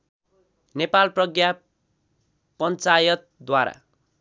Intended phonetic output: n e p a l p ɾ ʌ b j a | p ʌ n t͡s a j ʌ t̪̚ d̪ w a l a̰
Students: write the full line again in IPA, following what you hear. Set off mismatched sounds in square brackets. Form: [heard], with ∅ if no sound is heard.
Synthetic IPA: n e p a l p [r] ʌ [ɡ] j a | p ʌ n t͡s a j ʌ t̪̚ d̪ w a [ɾ] a̰

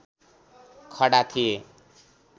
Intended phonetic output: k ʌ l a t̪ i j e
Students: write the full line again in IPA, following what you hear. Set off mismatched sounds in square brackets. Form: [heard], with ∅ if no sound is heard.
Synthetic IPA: [kʰ] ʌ [ɽ] a [t̪ʰ] i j e

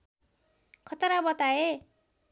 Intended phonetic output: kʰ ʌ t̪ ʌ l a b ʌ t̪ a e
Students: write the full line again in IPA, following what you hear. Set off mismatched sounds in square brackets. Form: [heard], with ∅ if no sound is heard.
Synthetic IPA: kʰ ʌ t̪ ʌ [ɾ] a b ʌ t̪ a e

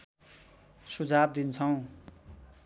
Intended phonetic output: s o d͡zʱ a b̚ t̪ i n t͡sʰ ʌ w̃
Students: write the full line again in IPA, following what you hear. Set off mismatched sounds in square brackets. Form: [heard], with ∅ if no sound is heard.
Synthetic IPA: s [u] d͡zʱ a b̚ [d̪] i n t͡sʰ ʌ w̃

